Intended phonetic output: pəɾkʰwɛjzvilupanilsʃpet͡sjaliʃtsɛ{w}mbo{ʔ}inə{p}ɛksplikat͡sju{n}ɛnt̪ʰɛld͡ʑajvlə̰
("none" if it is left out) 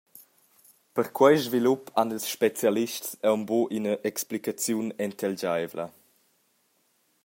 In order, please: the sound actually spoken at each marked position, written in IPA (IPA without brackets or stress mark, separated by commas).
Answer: w, ʔ, ʔ, n